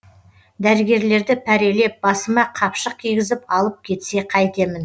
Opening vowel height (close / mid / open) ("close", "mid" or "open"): open